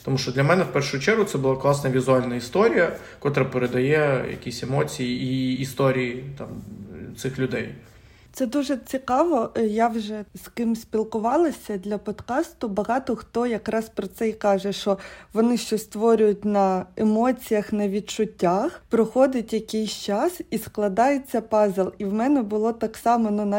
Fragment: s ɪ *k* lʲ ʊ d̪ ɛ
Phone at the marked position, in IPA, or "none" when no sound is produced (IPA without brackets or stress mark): x